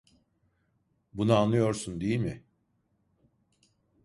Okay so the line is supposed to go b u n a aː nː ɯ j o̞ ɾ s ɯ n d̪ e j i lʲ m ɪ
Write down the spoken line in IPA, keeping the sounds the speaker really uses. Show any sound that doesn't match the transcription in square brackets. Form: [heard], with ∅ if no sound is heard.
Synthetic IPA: b u n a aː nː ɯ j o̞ ɾ s [u] n d̪ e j i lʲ m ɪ